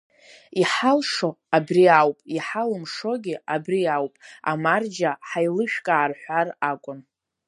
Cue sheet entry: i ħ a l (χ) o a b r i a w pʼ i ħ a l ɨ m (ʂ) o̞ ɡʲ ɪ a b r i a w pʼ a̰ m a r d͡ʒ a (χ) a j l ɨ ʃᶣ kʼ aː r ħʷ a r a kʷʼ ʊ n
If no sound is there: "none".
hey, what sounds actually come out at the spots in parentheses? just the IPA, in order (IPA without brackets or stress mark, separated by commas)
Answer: ʂ, ʂ, ħ